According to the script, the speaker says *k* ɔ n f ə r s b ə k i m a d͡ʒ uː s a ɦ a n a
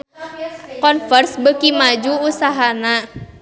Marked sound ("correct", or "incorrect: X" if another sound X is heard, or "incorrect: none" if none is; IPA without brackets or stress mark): correct